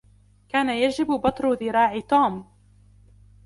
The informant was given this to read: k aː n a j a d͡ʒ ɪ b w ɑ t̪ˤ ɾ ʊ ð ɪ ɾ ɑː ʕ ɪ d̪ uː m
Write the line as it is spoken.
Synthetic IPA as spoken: k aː n a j a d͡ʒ ɪ b b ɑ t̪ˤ ɾ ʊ ð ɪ ɾ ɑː ʕ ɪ t̪ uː m